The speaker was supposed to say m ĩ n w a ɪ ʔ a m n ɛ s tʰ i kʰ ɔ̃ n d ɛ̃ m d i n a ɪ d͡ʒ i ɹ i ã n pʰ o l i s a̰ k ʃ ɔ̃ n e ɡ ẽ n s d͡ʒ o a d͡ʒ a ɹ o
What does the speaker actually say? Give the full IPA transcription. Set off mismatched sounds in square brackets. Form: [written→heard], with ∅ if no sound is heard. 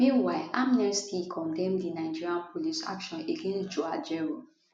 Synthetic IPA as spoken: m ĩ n w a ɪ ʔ a m n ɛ s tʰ i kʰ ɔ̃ n d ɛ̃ m d i n a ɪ d͡ʒ i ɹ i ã n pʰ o l i s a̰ k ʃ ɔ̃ n e ɡ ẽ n s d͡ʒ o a d͡ʒ [a→ɛ] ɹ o